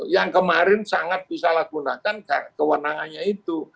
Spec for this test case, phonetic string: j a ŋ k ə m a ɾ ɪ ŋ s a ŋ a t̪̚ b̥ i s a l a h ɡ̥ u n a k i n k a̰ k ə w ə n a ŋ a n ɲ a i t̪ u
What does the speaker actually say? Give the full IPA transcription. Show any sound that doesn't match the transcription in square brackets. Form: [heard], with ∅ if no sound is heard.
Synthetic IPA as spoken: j a ŋ k ə m a ɾ ɪ [n] s a ŋ a t̪̚ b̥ i s a l a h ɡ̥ u n a k [a] n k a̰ k ə w ə n a ŋ a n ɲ a i t̪ u